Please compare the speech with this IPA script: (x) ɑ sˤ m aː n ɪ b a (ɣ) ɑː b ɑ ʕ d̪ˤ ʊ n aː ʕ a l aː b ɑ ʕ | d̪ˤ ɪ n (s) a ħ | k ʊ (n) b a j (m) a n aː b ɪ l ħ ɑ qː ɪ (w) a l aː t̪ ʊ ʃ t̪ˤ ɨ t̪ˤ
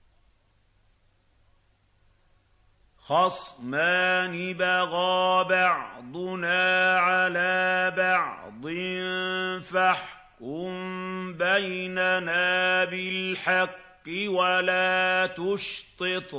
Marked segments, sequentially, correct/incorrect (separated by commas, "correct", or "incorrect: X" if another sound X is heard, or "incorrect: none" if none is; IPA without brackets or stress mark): correct, correct, incorrect: f, incorrect: m, incorrect: n, correct